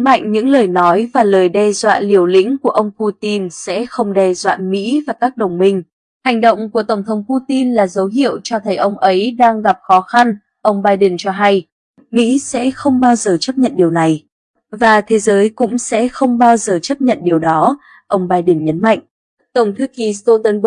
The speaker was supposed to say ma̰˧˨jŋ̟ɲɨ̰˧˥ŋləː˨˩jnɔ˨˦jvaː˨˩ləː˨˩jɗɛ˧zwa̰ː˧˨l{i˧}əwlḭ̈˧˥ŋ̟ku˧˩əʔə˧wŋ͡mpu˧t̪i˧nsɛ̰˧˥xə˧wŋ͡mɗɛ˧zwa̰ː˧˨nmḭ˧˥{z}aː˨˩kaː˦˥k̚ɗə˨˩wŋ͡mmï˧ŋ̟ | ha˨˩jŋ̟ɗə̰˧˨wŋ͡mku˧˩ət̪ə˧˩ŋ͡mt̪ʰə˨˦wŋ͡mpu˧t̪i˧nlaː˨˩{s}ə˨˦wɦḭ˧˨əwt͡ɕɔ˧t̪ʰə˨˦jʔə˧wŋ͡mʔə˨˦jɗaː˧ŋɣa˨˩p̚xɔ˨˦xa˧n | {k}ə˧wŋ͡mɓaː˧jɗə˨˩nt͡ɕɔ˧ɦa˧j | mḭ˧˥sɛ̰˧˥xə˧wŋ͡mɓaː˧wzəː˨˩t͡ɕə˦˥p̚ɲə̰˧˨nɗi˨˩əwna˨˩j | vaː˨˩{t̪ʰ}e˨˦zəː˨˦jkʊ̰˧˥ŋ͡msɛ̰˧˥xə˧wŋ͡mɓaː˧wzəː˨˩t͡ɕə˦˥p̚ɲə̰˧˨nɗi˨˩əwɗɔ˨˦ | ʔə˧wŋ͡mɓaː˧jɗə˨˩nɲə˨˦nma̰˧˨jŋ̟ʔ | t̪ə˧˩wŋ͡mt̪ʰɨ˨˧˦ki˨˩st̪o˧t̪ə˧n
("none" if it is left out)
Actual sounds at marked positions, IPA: i˨˩, v, z, ʔ, t̪ʰ

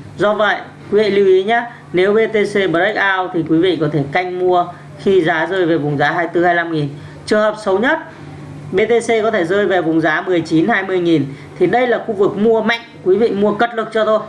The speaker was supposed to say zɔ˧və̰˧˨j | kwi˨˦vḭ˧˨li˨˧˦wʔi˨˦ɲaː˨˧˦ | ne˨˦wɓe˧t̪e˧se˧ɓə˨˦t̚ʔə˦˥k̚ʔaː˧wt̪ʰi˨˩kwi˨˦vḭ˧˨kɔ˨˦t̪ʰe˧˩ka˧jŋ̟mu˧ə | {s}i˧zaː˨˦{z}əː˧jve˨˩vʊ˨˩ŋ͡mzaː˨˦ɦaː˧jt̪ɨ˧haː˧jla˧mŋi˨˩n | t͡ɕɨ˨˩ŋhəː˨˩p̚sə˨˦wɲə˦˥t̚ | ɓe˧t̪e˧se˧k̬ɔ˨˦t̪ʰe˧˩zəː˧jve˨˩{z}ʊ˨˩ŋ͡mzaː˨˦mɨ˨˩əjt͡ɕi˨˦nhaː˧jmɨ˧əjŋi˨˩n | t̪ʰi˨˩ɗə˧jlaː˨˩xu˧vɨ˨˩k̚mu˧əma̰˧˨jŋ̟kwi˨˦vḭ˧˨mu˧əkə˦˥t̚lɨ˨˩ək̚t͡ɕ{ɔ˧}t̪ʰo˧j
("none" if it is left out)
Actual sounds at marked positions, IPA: x, z, v, ɔ˧

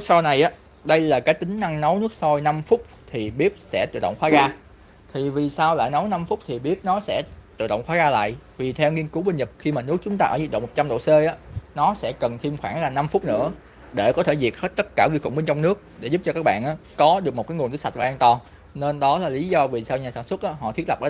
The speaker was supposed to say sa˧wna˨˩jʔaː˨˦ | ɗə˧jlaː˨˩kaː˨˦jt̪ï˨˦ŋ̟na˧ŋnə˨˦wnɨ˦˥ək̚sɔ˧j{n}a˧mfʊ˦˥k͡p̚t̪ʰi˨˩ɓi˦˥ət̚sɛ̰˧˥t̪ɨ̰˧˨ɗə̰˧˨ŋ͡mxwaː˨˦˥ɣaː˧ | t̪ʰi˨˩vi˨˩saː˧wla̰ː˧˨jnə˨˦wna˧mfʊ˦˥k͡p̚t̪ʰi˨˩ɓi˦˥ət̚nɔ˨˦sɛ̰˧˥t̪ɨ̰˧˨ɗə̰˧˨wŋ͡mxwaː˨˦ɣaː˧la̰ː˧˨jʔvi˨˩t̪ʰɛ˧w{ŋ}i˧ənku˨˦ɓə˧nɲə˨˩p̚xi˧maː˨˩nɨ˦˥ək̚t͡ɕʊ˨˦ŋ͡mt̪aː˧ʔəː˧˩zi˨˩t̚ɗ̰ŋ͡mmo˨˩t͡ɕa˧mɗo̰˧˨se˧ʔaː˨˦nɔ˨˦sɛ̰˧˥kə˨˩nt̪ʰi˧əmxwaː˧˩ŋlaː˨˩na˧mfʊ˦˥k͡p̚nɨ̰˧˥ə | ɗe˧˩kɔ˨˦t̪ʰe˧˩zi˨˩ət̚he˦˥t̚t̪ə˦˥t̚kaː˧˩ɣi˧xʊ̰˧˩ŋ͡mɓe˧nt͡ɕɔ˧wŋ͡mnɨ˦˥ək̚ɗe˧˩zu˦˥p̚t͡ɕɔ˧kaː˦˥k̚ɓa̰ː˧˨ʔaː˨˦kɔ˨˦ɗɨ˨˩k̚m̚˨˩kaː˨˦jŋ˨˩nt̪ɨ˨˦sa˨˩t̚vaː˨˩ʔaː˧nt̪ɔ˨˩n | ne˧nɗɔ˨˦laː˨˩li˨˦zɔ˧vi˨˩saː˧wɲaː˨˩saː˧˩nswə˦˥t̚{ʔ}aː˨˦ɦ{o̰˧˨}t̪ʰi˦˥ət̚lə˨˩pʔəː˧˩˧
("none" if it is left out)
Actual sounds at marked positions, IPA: n, ŋ, ʔ, ɔ̰˧˨

